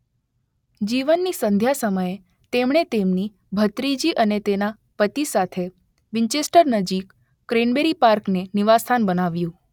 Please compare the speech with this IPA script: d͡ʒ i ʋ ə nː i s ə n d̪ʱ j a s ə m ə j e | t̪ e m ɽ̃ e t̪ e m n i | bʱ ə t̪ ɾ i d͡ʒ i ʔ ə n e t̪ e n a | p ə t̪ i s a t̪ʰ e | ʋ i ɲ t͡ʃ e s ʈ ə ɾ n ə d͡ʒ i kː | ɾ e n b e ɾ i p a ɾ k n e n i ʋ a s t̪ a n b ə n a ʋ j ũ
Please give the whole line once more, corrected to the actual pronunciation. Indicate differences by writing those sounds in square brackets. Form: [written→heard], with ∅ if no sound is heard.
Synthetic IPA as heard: d͡ʒ i ʋ ə nː i s ə n d̪ʱ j a s ə m ə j e | t̪ e m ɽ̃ e t̪ e m n i | bʱ ə t̪ ɾ i d͡ʒ i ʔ ə n e t̪ e n a | p ə t̪ i s a t̪ʰ e | ʋ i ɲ t͡ʃ e s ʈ ə ɾ n ə d͡ʒ i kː | ɾ e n b e ɾ i p a ɾ k n e n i ʋ a s [t̪→t̪ʰ] a n b ə n a ʋ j ũ